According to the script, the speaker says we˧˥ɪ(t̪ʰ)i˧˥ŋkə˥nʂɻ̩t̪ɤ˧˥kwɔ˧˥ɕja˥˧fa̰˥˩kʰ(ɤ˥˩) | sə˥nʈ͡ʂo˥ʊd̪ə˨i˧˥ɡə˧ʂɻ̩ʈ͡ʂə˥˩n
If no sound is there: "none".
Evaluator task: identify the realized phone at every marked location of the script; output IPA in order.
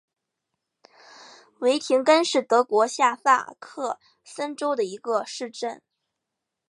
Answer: t̪ʰ, ɤ˥˩

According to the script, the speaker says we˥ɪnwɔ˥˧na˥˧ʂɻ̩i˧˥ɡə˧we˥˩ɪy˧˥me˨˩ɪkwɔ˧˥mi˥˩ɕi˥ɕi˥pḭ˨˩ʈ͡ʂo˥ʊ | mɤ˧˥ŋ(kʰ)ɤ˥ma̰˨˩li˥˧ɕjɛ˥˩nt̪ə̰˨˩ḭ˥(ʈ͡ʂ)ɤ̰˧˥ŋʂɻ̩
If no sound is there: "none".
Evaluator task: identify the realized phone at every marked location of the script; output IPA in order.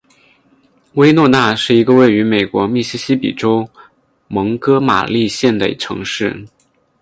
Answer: k, ʈ͡ʂʰ

